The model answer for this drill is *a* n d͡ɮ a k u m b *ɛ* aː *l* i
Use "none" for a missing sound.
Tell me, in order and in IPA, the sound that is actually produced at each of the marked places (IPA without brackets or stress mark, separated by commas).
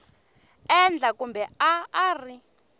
ɛ, ɛ, r